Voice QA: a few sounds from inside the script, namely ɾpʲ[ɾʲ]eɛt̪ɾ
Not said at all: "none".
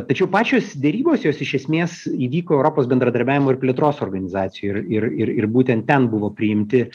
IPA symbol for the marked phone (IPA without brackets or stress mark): lʲ